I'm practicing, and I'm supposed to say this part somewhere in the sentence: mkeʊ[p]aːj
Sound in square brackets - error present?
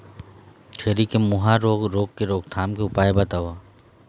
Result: no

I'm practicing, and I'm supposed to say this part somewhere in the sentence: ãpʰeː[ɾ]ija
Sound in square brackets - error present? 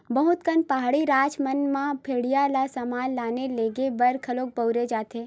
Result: yes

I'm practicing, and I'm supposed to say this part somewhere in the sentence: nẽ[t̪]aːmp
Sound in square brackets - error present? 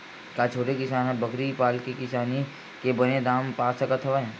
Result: yes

